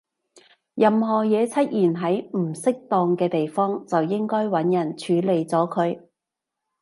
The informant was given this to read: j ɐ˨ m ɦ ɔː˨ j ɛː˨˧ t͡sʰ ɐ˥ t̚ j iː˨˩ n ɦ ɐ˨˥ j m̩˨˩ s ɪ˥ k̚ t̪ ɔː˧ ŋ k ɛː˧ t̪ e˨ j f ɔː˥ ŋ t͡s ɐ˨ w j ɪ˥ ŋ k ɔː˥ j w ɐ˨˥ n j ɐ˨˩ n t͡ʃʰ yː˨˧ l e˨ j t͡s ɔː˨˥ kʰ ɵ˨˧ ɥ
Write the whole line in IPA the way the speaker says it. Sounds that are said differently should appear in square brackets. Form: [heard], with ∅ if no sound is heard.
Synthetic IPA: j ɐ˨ m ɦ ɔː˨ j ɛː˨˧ t͡sʰ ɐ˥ t̚ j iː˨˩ n ɦ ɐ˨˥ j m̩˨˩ s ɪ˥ k̚ t̪ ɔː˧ ŋ k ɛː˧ t̪ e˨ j f ɔː˥ ŋ t͡s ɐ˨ w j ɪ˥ ŋ k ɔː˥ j w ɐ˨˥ n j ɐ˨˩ n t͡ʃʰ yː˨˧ l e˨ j t͡s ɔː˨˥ kʰ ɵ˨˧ ɥ

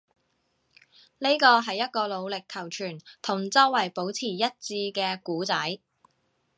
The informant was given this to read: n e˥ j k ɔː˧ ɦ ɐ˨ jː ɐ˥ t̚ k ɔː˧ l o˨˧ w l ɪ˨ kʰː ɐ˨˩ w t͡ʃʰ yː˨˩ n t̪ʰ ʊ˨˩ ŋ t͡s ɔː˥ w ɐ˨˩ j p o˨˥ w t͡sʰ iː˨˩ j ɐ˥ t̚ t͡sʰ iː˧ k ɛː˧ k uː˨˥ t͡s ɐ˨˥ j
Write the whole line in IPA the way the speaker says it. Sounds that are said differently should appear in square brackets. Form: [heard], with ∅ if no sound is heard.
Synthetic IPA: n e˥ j k ɔː˧ ɦ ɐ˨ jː ɐ˥ t̚ k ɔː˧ l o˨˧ w l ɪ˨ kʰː ɐ˨˩ w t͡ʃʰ yː˨˩ n t̪ʰ ʊ˨˩ ŋ t͡s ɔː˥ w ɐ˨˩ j p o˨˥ w t͡sʰ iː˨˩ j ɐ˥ t̚ [t͡s] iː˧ k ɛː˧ k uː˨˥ t͡s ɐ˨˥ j

